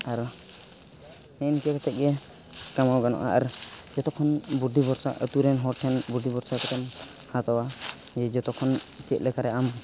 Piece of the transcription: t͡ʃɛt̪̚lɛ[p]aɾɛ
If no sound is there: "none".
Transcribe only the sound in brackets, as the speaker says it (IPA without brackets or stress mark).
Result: k